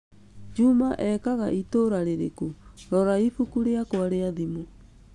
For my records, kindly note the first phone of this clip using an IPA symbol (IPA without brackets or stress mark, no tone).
d͡ʒ